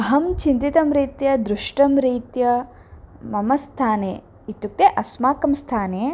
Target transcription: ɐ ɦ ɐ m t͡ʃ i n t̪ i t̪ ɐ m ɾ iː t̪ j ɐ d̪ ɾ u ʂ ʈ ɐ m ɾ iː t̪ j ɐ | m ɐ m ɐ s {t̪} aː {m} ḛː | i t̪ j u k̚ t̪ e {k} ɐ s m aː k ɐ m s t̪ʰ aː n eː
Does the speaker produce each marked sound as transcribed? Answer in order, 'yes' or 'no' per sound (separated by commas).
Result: no, no, no